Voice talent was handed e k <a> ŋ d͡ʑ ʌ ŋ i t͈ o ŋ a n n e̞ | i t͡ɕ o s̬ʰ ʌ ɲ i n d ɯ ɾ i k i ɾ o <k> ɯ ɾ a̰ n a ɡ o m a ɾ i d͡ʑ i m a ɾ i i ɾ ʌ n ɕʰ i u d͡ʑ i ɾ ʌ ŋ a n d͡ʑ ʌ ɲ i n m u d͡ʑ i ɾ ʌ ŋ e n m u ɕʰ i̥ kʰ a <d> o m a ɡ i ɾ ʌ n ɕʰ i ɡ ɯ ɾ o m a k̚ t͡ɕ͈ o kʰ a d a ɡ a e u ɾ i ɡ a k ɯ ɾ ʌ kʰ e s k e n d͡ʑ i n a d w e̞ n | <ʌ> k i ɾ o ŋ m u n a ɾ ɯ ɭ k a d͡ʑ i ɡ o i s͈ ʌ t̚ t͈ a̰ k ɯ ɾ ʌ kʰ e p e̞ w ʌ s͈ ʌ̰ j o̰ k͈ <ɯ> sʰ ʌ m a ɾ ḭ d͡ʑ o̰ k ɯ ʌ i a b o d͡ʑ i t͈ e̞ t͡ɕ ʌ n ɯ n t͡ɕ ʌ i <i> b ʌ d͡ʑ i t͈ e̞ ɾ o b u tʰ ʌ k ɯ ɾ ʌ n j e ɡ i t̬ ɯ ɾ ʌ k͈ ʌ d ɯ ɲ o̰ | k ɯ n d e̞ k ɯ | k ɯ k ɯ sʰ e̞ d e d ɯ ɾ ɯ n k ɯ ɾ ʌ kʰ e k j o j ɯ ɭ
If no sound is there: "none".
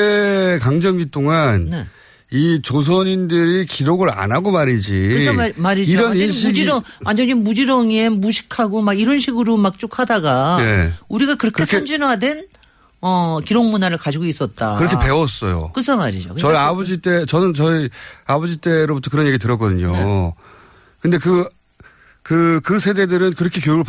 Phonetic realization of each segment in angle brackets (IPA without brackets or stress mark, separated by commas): a, ɡ, ɡ, ʌ, ɯ, a